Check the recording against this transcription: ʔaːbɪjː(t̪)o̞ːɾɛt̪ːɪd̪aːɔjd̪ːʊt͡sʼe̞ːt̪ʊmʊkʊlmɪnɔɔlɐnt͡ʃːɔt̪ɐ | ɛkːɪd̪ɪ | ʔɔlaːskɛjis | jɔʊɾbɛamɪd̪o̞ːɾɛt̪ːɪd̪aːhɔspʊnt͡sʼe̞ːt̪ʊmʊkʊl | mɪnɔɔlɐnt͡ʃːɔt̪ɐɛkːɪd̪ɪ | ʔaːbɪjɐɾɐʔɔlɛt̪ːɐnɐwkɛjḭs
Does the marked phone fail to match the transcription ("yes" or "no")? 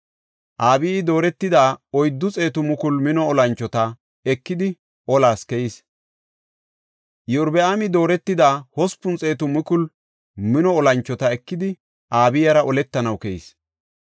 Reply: yes